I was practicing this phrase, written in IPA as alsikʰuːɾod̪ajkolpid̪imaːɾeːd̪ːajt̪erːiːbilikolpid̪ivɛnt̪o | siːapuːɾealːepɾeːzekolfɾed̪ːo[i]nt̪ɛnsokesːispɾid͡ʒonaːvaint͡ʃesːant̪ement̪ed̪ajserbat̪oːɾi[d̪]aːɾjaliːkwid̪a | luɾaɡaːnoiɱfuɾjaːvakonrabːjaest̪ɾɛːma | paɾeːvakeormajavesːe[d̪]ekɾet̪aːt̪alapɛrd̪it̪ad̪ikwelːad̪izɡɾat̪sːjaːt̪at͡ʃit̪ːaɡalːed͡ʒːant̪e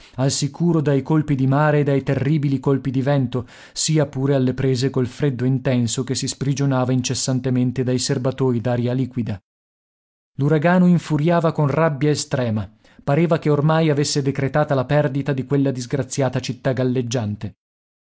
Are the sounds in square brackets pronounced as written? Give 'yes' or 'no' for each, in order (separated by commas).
yes, yes, yes